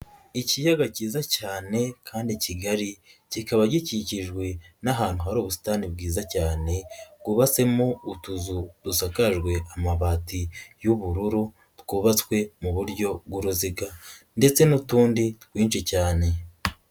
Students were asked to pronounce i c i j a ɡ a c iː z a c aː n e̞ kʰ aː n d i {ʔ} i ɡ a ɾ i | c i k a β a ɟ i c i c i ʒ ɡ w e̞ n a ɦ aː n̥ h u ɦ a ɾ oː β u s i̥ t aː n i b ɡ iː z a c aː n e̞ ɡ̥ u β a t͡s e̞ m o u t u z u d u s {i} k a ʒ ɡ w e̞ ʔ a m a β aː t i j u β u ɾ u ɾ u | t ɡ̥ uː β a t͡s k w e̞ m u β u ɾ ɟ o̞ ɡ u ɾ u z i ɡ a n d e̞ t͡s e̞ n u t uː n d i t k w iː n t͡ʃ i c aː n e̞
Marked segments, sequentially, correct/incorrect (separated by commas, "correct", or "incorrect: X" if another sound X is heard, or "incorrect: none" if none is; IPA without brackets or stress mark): incorrect: c, incorrect: a